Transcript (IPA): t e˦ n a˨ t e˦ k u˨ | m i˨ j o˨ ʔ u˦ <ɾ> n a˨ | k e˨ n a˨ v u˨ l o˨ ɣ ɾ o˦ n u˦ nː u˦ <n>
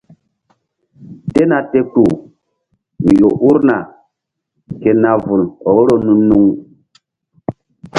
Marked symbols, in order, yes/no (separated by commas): yes, no